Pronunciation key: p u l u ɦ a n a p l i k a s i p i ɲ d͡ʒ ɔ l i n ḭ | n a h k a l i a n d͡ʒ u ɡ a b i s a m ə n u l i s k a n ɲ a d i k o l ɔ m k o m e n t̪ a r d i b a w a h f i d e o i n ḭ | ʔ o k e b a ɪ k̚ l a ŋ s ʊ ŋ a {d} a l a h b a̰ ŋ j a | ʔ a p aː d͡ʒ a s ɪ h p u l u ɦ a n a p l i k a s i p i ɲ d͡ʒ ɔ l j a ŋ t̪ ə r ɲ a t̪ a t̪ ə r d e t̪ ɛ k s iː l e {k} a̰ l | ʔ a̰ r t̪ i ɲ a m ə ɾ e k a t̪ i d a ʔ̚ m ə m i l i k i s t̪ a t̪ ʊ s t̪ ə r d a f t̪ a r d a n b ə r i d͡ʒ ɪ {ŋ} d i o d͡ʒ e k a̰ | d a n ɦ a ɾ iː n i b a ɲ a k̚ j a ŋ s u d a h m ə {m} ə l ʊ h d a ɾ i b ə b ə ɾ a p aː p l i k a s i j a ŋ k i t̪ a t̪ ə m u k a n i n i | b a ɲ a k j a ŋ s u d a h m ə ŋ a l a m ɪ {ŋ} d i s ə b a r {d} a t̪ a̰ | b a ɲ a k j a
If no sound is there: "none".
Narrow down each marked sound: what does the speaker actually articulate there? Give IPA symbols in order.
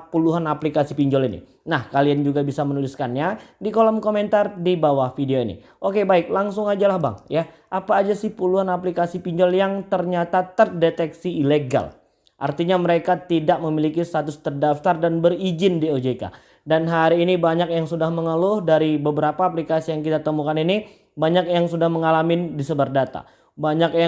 d͡ʒ, ɡ, n, ŋ, n, d

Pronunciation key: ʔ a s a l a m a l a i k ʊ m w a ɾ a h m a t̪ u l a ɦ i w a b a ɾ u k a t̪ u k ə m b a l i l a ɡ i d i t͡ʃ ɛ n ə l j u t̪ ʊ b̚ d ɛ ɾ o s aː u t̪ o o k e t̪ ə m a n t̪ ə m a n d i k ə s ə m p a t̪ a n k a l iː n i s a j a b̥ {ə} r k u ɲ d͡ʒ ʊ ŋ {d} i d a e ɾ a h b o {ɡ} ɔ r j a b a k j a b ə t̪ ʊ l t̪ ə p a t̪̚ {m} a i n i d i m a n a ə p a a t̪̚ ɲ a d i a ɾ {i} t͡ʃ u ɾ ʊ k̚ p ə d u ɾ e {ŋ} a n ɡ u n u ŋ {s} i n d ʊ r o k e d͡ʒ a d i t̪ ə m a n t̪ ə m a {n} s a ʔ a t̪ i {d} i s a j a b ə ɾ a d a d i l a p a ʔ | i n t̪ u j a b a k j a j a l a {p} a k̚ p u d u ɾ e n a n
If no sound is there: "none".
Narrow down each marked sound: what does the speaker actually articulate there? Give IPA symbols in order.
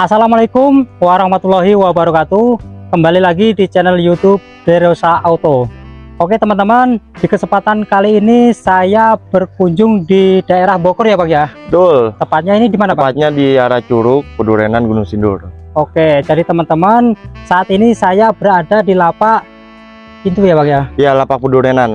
ə, d, k, ɲ, a, n, s, n, n, p

